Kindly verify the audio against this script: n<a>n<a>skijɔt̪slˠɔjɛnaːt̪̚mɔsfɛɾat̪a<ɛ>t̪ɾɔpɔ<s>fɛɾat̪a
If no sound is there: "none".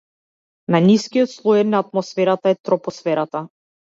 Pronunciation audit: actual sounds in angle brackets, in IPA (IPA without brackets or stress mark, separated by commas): a, i, ɛ, s